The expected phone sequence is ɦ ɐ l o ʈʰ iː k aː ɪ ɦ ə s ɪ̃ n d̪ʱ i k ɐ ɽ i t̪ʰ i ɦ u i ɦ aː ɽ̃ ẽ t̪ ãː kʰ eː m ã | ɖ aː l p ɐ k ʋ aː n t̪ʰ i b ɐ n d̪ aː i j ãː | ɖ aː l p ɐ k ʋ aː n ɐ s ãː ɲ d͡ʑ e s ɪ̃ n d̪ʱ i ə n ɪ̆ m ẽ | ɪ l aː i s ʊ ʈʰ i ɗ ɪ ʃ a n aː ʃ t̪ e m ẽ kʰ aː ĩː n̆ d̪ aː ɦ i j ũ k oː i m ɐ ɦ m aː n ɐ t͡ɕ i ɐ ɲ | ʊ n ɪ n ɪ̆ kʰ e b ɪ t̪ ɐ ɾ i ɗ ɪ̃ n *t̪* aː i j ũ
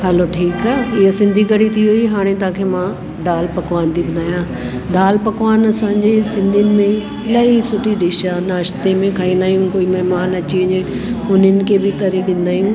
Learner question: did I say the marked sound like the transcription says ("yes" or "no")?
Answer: no